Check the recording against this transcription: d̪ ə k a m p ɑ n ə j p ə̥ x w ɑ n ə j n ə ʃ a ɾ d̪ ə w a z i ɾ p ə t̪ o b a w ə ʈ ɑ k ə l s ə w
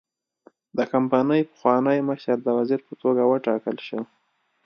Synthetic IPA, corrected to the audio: d̪ ə k a m p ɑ n ə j p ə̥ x w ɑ n ə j m ə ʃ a ɾ d̪ ə w a z i ɾ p ə t̪ o ɡ a w ə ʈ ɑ k ə l ʃ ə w

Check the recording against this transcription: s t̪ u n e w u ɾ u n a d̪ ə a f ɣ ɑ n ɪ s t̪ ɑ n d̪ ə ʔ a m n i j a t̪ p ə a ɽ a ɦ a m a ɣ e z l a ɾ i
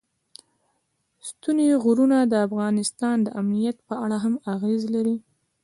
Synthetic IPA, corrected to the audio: s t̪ u n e ɣ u ɾ u n a d̪ ə a f ɣ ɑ n ɪ s t̪ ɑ n d̪ ə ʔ a m n i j a t̪ p ə a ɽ a ɦ a m a ɣ e z l a ɾ i

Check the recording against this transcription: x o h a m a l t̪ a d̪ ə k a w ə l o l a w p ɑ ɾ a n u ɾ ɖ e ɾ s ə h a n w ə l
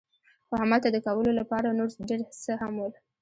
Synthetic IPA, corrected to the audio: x o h a m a l t̪ a d̪ ə k a w ə l o l a p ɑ ɾ a n o ɾ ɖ e ɾ s ə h a m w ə l

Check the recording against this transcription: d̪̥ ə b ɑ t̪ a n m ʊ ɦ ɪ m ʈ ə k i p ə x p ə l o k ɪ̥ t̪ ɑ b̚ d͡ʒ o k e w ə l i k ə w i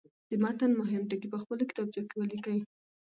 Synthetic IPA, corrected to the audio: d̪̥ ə m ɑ t̪ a n m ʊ ɦ ɪ m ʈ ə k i p ə x p ə l o k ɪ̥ t̪ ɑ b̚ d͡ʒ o k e w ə l i k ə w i

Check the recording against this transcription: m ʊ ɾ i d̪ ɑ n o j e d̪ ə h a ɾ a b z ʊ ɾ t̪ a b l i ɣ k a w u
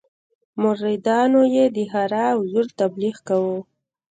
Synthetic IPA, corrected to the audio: m ʊ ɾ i d̪ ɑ n o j e d̪ ə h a ɾ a w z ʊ ɾ t̪ a b l i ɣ k a w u

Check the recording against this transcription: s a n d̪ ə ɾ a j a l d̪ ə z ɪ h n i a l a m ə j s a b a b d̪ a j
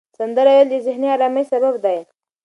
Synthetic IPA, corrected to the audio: s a n d̪ ə ɾ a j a l d̪ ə z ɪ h n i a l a m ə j s a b a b d̪ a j

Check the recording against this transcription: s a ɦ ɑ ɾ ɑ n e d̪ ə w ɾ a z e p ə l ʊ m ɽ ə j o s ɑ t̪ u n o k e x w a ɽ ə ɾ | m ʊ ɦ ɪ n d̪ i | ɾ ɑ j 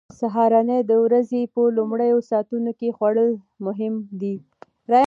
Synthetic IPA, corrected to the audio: s a ɦ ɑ ɾ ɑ n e d̪ ə w ɾ a z e p ə l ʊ m ɽ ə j o s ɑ t̪ u n o k e x w a ɽ ə l | m ʊ ɦ ɪ m d̪ i | ɾ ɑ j

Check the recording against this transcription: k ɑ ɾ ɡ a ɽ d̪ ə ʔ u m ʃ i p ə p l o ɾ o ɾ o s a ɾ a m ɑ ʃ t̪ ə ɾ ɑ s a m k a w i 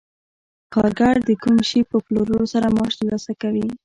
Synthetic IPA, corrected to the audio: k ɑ ɾ ɡ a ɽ d̪ ə k u m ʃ i p ə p l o ɾ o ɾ o s a ɾ a m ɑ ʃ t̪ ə l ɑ s a k a w i

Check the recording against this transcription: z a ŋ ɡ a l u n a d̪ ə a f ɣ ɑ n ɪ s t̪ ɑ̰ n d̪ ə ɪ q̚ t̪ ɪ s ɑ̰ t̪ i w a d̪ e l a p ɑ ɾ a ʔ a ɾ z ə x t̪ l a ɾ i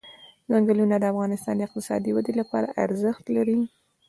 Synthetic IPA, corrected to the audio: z a ŋ ɡ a l u n a d̪ ə a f ɣ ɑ n ɪ s t̪ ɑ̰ n d̪ ə ɪ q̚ t̪ ɪ s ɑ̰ d̪ i w a d̪ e l a p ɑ ɾ a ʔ a ɾ z ə x t̪ l a ɾ i

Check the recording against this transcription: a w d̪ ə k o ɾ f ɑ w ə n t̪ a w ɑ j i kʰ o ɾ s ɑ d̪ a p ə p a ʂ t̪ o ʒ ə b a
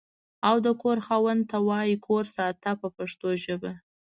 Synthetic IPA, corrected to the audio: a w d̪ ə k o ɾ x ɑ w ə n t̪ a w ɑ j i kʰ o ɾ s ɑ t̪ a p ə p a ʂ t̪ o ʒ ə b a

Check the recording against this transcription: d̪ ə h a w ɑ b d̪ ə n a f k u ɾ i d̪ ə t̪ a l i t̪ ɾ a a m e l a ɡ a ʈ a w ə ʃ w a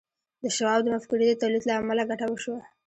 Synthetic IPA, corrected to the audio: d̪ ə ʃ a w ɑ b d̪ ə m a f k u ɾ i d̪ ə t̪ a l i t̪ l a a m a l a ɡ a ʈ a w ə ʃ w a

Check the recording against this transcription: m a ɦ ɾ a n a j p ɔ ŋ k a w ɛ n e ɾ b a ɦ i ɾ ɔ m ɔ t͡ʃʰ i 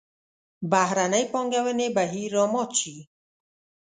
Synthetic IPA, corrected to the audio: b a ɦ ɾ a n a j p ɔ ŋ ɡ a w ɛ n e b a ɦ i ɾ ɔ m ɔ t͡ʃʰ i

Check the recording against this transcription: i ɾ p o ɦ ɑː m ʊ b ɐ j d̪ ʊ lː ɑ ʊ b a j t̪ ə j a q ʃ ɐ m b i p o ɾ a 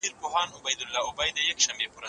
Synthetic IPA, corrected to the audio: i ɾ p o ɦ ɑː n ʊ b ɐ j d̪ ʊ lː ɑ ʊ b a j d̪ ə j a k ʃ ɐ m b e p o ɾ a

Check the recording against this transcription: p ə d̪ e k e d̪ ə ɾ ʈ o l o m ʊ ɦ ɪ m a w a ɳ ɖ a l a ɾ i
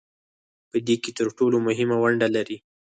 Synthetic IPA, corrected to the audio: p ə d̪ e k e t̪ ə ɾ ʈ o l o m ʊ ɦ ɪ m a w a ɳ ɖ a l a ɾ i

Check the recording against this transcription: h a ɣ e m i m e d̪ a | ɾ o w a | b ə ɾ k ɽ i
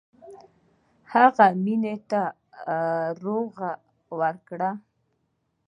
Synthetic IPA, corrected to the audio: h a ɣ a m i n e t̪ a | ɾ o ɣ a | w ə ɾ k ɽ a

